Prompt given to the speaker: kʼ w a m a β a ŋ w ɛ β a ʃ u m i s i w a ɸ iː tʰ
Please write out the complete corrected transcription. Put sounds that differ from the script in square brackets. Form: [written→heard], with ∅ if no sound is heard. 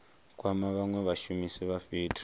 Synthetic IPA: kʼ w a m a β a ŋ w ɛ β a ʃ u m i s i [w→β] a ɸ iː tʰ